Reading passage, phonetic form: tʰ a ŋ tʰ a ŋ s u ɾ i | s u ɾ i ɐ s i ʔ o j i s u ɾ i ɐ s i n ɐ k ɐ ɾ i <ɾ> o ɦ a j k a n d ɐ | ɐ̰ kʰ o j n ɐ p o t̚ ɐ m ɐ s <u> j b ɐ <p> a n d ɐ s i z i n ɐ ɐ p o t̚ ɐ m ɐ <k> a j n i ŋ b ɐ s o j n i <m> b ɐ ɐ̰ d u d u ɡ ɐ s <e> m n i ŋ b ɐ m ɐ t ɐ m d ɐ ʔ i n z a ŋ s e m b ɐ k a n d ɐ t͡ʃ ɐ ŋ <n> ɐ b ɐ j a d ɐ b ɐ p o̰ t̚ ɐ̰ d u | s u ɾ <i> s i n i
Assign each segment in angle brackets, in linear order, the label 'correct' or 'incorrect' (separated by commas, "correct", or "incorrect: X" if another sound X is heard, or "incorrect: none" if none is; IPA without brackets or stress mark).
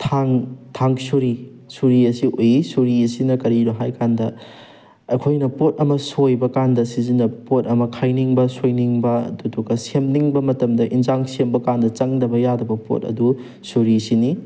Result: correct, incorrect: o, incorrect: k, incorrect: kʰ, incorrect: ŋ, correct, incorrect: d, correct